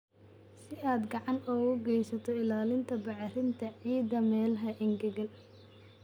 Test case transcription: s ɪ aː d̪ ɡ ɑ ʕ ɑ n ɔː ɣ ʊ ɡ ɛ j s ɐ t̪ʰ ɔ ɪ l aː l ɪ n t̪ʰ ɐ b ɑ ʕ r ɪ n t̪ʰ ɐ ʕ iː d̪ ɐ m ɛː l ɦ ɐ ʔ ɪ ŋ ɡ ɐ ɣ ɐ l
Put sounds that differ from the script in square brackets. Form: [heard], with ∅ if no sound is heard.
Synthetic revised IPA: s ɪ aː d̪ ɡ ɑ ʕ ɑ n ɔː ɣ ʊ ɡ ɛ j s ɐ t̪ʰ ɔ ɪ l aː l ɪ n t̪ʰ ɐ b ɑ ʕ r ɪ n t̪ʰ ɐ ʕ iː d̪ ɐ m ɛː l ɦ ɐ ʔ ɪ ŋ ɡ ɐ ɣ ɐ l